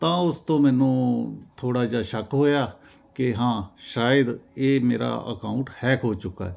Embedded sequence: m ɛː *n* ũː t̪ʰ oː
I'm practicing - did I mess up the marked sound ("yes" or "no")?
no